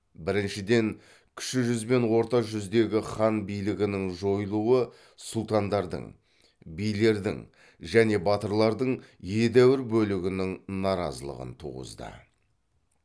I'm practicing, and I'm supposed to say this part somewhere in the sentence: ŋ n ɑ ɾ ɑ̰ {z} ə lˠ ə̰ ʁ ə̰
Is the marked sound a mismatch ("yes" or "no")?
no